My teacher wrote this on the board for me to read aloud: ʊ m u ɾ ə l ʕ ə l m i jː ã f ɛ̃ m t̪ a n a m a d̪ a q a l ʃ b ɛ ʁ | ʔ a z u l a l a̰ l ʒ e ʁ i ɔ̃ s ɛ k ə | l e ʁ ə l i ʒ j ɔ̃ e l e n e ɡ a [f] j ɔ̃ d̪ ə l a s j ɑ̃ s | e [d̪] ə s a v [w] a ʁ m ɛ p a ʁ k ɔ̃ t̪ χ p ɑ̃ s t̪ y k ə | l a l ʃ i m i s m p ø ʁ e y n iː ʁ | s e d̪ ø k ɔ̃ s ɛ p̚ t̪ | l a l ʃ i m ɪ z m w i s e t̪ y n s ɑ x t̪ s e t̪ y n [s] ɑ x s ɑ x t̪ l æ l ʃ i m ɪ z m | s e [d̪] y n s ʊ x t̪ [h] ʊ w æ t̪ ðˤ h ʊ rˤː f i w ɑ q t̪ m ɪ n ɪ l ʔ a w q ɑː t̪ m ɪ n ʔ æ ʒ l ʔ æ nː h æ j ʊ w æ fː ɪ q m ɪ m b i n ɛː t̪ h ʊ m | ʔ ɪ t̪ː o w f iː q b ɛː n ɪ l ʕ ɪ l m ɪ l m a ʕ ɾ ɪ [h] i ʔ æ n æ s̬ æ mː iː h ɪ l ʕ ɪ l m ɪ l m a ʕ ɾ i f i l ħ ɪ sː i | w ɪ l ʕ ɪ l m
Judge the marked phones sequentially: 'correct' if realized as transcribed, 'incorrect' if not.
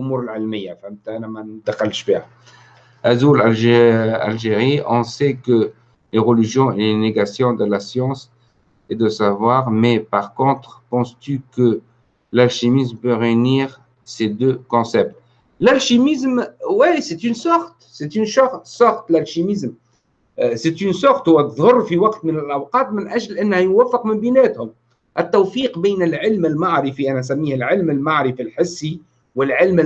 incorrect, correct, correct, incorrect, incorrect, correct, incorrect

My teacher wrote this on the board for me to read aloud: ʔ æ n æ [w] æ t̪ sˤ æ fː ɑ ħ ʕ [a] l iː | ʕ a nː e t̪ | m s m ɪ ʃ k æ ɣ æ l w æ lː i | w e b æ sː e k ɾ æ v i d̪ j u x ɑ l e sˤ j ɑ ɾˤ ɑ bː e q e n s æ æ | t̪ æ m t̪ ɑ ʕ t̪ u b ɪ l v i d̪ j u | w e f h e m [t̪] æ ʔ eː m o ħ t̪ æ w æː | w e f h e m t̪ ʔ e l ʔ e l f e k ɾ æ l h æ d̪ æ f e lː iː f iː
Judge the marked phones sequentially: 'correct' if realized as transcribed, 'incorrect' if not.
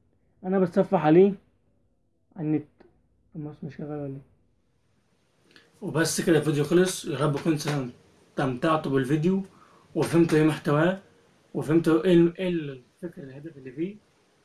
incorrect, correct, correct

